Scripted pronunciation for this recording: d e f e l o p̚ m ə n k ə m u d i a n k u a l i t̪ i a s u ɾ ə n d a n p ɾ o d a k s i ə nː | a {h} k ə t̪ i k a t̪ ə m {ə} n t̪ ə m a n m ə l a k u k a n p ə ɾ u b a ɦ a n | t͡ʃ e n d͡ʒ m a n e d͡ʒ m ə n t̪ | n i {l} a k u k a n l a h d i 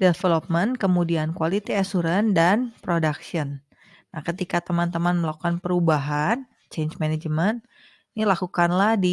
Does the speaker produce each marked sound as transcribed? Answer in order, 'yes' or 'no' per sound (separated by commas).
yes, no, yes